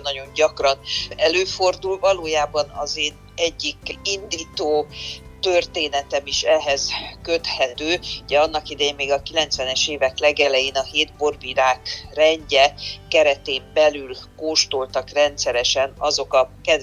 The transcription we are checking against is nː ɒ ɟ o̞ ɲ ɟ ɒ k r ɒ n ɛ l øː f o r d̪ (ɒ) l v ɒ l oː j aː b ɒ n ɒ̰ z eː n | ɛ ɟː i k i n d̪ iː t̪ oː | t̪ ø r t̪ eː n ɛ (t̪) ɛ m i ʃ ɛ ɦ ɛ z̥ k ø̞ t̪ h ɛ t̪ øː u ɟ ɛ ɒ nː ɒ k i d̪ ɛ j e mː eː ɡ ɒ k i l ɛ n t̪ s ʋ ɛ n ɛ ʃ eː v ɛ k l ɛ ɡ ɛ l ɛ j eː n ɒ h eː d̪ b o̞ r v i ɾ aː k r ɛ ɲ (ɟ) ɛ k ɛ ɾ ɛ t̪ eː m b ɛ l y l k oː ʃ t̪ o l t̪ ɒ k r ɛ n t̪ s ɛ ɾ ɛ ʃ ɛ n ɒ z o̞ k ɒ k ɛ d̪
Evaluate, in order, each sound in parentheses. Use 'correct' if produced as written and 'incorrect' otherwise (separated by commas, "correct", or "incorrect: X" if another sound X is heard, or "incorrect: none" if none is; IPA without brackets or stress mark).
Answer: incorrect: u, correct, correct